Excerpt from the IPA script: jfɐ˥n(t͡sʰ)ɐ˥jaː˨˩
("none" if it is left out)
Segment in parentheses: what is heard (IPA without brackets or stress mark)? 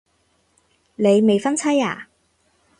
t͡sʰ